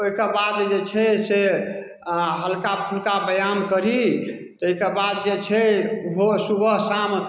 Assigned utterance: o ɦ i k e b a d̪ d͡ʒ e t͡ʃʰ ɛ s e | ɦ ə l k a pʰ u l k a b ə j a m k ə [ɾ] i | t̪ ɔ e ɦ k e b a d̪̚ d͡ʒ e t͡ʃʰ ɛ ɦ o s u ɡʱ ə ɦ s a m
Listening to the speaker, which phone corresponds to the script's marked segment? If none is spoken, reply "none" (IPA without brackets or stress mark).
ɾ